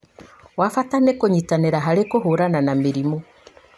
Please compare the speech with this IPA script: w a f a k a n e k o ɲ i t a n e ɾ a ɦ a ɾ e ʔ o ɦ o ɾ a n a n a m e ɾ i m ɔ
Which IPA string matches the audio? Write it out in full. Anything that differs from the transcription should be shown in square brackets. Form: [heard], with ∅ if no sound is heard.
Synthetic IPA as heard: w a f a [t] a n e k o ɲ i t a n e ɾ a ɦ a ɾ e [k] o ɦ o ɾ a n a n a m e ɾ i m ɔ

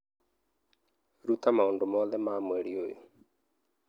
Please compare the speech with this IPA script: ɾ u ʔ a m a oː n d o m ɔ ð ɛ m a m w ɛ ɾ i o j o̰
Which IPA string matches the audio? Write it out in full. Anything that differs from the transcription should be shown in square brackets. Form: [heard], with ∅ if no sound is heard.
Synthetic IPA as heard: ɾ u [t] a m a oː n d o m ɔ ð ɛ m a m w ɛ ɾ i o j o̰

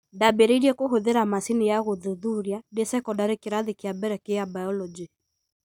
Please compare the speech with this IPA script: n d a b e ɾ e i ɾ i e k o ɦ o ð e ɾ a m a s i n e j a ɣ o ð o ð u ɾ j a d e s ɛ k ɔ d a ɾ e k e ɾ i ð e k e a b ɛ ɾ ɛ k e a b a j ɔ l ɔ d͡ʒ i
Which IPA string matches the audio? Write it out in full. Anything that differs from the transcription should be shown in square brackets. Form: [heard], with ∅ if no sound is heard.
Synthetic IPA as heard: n d a b e ɾ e i ɾ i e k o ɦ o ð e ɾ a m a s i n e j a ɣ o ð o ð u ɾ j a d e s ɛ k ɔ d a ɾ e k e ɾ [a] ð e k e a b ɛ ɾ ɛ k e a b a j ɔ l ɔ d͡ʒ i

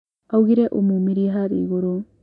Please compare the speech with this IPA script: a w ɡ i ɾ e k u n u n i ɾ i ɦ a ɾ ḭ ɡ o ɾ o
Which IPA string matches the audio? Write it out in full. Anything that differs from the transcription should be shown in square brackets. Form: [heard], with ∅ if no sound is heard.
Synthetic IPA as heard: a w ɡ i ɾ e [ʔ] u [m] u [m] i ɾ i ɦ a ɾ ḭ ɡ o ɾ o

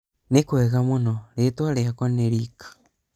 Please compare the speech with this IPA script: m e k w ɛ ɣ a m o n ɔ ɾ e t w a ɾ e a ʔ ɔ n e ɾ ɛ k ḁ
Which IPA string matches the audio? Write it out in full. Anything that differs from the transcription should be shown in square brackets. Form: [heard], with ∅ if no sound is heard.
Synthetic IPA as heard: [n] e k w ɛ ɣ a m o n ɔ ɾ e t w a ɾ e a [k] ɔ n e ɾ [i] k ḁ

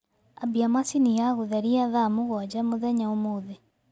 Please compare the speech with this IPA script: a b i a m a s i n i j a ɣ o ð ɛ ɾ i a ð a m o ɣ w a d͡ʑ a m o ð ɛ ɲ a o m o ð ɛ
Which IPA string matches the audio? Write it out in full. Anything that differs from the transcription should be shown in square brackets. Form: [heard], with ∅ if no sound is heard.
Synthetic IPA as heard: a b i a m a s i n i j a ɣ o ð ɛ ɾ i a ð a m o ɣ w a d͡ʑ a m o ð ɛ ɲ a o m o ð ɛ

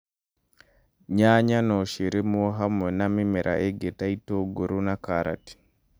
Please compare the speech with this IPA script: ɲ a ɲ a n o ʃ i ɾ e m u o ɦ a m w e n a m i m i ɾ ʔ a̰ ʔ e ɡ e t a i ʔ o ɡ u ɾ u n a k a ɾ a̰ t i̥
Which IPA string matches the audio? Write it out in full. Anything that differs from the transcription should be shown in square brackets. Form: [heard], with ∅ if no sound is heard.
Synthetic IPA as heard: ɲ a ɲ a n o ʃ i ɾ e m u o ɦ a m w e n a m i m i ɾ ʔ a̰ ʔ e ɡ e t a i [t] o ɡ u ɾ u n a k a ɾ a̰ t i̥

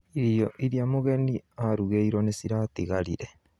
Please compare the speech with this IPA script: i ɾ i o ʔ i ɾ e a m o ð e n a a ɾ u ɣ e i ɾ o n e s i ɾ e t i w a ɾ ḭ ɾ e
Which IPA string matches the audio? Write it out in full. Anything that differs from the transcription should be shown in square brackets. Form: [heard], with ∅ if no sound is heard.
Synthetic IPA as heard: i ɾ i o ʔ i ɾ [i] a m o [ɣ] e n [i] a ɾ u ɣ e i ɾ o n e s i ɾ [a] t i [ɣ] a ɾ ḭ ɾ e

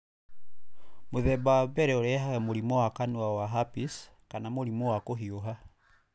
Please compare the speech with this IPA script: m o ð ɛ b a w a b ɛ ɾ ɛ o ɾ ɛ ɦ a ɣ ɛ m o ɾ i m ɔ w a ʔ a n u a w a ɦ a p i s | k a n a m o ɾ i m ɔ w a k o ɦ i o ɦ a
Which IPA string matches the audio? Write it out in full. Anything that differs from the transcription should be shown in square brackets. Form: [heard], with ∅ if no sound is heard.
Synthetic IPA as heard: m o ð ɛ b a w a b ɛ ɾ ɛ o ɾ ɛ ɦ a ɣ ɛ m o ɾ i m ɔ w a [k] a n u a w a ɦ a p i s | k a n a m o ɾ i m ɔ w a k o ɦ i o ɦ a

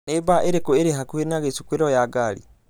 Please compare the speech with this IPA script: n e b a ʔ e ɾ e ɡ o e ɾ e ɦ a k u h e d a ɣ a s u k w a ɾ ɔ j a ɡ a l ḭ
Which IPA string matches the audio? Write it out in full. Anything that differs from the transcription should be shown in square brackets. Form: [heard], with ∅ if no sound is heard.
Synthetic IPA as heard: n e b a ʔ e ɾ e [k] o e ɾ e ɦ a k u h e [n] a ɣ [e] s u k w [e] ɾ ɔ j a ɡ a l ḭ

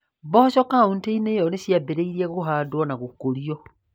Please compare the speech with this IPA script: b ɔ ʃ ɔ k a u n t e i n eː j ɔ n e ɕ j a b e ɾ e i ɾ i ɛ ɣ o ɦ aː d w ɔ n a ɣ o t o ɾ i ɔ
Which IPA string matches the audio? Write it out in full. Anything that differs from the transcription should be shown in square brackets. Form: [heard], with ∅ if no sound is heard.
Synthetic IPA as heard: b ɔ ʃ ɔ k a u n t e i n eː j ɔ n e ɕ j a b e ɾ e i ɾ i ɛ ɣ o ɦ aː d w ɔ n a ɣ o [k] o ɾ i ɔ

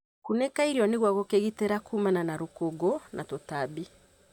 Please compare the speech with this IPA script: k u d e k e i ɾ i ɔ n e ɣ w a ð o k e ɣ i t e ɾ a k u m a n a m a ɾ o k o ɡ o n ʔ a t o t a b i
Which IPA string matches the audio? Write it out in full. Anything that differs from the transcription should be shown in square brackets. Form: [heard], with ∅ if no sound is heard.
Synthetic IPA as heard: k u [n] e k [a] i ɾ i ɔ n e ɣ w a [ɣ] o k e ɣ i t e ɾ a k u m a n a [n] a ɾ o k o ɡ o n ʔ a t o t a b i

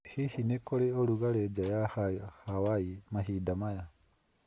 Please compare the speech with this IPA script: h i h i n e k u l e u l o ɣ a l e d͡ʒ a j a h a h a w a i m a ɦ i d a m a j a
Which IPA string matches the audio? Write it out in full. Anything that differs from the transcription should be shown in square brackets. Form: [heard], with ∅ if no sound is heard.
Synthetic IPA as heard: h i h i n e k [o] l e [o] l [u] ɣ a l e d͡ʒ a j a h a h a w a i m a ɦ i d a m a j a

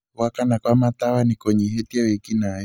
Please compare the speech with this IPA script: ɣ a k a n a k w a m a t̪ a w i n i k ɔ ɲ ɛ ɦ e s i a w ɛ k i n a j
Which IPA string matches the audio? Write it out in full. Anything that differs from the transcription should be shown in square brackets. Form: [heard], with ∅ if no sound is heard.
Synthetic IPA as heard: [w] a k a n a k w a m a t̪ a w [a] n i k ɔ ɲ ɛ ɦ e [t] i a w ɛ k i n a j

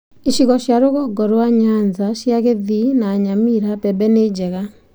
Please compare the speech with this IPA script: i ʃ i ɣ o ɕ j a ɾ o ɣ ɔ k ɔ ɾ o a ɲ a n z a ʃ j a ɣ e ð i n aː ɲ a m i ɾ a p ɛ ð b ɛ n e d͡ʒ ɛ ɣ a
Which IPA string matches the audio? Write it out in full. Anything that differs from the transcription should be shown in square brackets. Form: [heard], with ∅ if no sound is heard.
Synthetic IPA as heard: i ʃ i ɣ [ɔ] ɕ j a ɾ o ɣ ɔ [ɡ] ɔ ɾ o a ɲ a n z a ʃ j a ɣ e ð i n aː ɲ a m i ɾ a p ɛ [∅] b ɛ n e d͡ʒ ɛ ɣ a

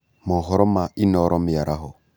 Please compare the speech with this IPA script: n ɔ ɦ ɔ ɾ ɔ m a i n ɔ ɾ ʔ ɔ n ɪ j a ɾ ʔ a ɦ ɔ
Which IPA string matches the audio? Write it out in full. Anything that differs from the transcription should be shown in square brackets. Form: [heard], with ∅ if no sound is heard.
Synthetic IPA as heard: [m] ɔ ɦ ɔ ɾ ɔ m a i n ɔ ɾ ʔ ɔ [m] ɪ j a ɾ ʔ a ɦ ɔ

